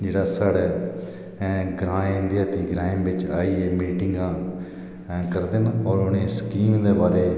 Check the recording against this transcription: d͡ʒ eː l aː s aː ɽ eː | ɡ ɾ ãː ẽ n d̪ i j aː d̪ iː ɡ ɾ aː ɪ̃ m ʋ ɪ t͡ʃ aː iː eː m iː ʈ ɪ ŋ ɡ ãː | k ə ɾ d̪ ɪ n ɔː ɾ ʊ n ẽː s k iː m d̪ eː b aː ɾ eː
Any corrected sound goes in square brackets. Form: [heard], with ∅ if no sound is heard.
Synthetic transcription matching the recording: d͡ʒ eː [ɽ] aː s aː ɽ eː | ɡ ɾ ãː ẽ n d̪ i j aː [t̪] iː ɡ ɾ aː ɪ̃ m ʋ ɪ t͡ʃ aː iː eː m iː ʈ ɪ ŋ ɡ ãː | k ə ɾ d̪ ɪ n ɔː ɾ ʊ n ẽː s k iː m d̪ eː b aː ɾ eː

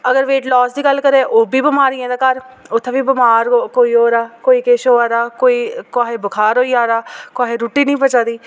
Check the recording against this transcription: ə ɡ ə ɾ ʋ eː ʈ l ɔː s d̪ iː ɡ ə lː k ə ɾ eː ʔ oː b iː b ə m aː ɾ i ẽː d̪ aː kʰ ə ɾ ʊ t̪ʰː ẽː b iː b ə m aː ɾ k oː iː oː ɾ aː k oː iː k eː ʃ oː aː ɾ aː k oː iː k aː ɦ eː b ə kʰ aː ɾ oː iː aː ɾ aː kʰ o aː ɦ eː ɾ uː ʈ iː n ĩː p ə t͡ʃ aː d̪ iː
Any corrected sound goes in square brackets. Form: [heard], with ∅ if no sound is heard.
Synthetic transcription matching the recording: ə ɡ ə ɾ ʋ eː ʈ l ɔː s d̪ iː ɡ ə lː k ə ɾ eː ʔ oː b iː b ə m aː ɾ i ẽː d̪ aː [k] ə ɾ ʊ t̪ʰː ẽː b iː b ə m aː ɾ k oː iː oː ɾ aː k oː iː k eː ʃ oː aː ɾ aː k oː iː k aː ɦ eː b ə kʰ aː ɾ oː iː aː ɾ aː [k] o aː ɦ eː ɾ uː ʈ iː n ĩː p ə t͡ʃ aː d̪ iː

